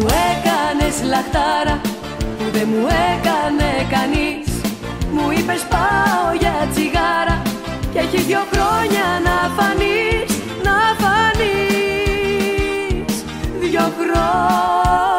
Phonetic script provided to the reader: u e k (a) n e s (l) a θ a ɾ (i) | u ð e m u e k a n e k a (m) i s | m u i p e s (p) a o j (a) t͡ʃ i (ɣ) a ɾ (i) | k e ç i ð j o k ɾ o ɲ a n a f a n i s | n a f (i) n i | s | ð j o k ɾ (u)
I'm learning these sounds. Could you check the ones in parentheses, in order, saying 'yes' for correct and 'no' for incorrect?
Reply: yes, yes, no, no, yes, yes, yes, no, no, no

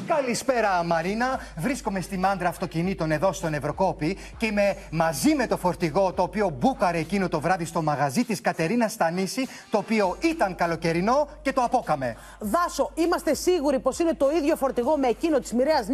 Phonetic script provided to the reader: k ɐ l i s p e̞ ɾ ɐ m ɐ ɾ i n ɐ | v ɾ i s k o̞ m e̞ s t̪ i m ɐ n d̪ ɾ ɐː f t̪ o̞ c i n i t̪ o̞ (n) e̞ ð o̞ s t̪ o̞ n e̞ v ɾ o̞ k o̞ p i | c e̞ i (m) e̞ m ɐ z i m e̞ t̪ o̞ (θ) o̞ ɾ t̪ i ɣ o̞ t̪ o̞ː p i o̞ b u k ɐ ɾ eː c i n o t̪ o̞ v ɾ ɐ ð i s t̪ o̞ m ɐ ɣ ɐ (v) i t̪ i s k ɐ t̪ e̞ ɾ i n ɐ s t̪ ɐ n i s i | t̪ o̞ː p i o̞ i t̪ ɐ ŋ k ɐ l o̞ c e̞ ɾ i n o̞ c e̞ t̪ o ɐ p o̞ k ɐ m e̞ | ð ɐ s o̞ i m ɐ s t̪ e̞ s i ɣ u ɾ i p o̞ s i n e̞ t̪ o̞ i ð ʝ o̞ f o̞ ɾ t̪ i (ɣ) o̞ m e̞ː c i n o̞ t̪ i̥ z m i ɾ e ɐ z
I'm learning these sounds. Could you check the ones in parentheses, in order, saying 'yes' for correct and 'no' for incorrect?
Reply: yes, yes, no, no, yes

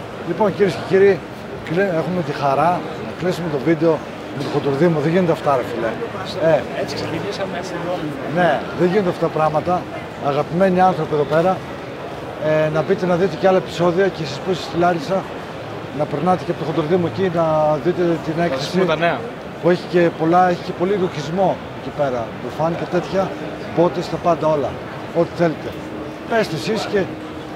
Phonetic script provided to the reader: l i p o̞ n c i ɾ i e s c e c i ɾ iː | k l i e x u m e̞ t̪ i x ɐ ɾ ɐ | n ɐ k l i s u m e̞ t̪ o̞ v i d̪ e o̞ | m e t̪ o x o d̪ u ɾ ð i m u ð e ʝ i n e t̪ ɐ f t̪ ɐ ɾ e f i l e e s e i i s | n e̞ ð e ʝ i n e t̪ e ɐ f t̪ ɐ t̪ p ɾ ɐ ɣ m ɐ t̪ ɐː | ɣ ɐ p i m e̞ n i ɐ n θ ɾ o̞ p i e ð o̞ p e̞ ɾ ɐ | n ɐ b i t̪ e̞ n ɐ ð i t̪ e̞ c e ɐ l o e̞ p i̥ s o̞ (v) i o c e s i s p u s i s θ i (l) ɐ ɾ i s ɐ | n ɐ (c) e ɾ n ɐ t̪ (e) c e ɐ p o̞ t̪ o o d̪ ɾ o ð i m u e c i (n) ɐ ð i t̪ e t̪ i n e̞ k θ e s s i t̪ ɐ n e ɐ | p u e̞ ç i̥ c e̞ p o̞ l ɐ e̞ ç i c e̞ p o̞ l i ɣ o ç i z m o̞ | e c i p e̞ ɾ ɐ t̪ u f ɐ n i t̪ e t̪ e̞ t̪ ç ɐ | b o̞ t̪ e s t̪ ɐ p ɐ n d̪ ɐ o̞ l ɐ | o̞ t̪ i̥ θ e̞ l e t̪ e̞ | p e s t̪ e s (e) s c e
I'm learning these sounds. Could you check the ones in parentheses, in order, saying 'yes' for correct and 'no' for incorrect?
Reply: no, yes, no, yes, yes, no

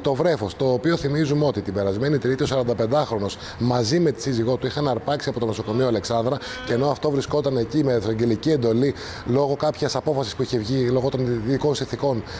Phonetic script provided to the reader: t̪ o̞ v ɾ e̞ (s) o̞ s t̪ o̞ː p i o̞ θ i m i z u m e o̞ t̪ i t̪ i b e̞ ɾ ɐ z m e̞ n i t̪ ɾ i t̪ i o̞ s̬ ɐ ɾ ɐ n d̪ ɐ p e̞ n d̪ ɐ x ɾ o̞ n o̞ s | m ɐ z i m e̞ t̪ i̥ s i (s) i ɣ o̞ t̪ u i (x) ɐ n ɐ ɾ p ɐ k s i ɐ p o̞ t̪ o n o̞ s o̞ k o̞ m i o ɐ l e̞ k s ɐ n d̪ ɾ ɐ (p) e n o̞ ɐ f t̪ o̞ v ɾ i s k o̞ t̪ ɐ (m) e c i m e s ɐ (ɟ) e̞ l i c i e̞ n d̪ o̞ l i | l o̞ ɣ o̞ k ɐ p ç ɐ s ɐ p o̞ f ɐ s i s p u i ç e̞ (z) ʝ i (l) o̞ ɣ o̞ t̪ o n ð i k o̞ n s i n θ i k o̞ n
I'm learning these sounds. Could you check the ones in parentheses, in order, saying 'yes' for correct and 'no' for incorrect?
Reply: no, no, yes, no, no, yes, no, yes

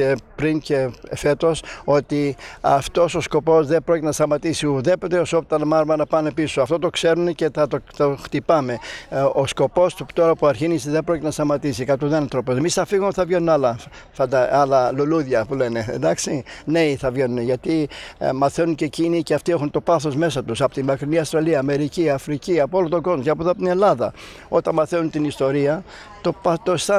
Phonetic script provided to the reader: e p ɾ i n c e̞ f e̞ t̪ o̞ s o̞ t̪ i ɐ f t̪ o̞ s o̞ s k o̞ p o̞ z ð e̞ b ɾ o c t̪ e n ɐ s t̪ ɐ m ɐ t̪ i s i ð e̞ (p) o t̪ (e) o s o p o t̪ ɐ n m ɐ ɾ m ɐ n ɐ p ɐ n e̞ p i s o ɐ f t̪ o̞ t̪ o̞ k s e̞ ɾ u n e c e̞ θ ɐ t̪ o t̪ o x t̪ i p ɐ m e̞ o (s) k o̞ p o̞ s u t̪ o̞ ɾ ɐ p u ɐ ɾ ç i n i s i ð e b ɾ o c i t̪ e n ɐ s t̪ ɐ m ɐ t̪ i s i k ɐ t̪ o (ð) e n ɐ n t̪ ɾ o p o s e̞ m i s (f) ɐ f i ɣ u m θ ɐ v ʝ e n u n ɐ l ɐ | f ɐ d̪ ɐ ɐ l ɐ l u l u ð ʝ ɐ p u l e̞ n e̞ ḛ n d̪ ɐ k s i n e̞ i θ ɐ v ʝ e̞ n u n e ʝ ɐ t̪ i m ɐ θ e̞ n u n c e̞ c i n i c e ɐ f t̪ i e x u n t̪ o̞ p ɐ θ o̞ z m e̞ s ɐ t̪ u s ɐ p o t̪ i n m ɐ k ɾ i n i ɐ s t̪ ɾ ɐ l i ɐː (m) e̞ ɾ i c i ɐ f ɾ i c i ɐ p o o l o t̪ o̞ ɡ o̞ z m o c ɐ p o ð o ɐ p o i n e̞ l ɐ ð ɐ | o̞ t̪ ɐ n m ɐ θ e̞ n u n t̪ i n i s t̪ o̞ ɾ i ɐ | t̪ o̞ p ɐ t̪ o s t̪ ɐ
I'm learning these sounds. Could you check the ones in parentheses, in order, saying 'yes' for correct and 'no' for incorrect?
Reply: yes, yes, yes, yes, no, yes

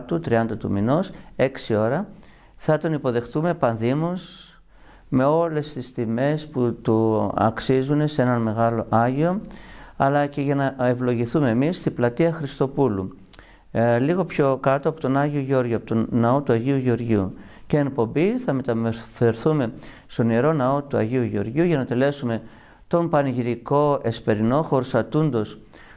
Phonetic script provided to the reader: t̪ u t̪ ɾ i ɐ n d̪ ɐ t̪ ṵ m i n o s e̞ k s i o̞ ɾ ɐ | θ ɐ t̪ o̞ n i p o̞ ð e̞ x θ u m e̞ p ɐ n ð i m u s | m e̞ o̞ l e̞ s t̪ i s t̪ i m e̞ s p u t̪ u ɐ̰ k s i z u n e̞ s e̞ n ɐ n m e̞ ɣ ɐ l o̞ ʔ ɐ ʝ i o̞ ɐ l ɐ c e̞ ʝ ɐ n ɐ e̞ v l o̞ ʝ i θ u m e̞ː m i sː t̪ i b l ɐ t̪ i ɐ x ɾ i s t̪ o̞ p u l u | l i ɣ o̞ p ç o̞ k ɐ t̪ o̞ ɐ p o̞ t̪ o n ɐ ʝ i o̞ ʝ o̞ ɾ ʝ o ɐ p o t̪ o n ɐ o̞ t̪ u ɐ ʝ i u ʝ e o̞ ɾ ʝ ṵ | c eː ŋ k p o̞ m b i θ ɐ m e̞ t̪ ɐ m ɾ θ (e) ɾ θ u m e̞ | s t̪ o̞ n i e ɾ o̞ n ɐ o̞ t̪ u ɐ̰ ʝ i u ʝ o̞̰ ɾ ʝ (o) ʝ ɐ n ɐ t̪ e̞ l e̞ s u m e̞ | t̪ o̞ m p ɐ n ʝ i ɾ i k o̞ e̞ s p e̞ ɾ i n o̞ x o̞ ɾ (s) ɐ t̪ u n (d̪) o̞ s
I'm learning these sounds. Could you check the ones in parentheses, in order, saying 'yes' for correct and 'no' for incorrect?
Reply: yes, no, yes, yes

